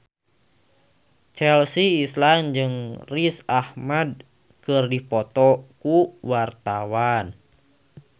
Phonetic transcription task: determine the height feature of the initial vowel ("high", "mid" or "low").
mid